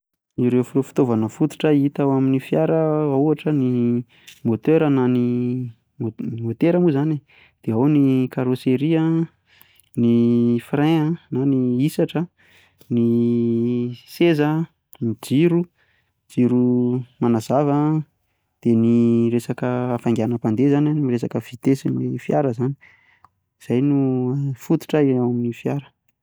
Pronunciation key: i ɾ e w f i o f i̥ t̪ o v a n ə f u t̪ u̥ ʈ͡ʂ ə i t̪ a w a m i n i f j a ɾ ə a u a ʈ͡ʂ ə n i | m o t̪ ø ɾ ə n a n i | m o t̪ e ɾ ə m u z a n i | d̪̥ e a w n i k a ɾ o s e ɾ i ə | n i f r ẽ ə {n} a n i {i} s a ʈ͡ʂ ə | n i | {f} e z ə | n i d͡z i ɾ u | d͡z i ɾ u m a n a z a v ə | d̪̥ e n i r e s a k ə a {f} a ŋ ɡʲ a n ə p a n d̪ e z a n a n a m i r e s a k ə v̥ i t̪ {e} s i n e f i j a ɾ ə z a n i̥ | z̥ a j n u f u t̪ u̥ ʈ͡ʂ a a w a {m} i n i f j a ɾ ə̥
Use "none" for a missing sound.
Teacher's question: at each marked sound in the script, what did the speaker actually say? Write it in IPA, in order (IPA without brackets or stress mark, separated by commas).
n, i, s, f, e, m